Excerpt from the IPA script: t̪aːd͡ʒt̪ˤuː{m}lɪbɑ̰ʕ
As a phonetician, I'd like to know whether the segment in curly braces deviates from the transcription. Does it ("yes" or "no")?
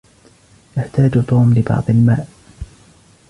no